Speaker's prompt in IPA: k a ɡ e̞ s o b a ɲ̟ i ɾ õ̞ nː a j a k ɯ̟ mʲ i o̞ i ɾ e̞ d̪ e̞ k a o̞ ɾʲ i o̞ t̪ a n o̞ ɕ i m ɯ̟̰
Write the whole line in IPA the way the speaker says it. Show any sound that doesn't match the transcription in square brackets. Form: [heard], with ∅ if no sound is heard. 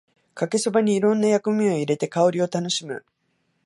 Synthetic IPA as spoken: k a [k] e̞ s o b a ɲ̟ [iː] ɾ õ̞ nː a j a k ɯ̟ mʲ i o̞ i ɾ e̞ [t̪] e̞ k a o̞ ɾʲ i o̞ t̪ a n o̞ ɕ i m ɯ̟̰